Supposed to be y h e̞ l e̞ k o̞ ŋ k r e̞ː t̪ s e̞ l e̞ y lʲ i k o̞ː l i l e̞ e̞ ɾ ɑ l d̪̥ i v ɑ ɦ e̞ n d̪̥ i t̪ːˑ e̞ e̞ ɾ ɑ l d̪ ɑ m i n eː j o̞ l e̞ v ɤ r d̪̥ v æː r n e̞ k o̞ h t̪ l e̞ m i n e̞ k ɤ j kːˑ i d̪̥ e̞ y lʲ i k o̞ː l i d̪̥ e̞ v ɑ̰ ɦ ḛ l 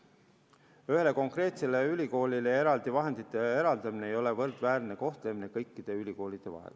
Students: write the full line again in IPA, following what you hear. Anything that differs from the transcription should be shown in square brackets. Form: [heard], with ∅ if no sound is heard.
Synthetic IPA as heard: y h e̞ l e̞ k o̞ ŋ k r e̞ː t̪ s e̞ l e̞ y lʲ i k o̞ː l i l e̞ e̞ ɾ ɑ l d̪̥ i v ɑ ɦ e̞ n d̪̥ i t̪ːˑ e̞ e̞ ɾ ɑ l d̪ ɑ m i n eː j o̞ l e̞ v ɤ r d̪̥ v æː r n e̞ k o̞ h t̪ l e̞ m i n e̞ k ɤ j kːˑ i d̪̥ e̞ y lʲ i k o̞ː l i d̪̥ e̞ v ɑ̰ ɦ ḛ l